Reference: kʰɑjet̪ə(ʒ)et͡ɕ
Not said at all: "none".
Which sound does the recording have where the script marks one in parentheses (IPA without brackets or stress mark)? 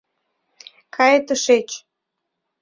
ʃ